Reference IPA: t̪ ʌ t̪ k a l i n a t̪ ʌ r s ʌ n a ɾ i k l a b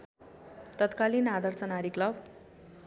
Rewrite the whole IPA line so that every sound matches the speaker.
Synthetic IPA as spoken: t̪ ʌ t̪ k a l i n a d̪ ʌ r t͡s ʌ n a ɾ i k l ʌ b